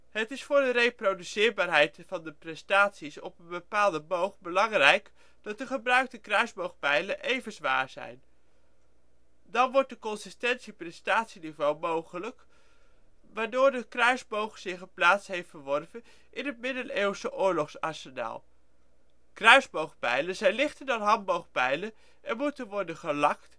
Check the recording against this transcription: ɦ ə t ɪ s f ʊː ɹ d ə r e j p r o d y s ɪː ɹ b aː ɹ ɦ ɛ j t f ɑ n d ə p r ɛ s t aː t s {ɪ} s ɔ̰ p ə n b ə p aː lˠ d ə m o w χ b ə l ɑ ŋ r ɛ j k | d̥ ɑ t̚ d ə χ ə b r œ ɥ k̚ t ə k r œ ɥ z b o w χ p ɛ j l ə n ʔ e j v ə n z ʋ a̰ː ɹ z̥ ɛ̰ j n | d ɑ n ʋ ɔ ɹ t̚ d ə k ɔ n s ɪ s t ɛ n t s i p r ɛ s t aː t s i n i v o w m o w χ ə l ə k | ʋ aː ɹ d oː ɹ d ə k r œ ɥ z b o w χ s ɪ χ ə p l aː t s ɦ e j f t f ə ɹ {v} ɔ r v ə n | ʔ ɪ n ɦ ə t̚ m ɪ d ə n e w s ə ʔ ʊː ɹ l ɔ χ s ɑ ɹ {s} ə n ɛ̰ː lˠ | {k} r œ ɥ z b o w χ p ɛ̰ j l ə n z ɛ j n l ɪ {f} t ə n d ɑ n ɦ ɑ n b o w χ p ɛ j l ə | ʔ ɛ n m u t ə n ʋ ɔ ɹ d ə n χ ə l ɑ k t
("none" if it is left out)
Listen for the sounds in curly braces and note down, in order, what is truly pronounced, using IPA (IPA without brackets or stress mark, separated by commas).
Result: i, ʋ, s, k, χ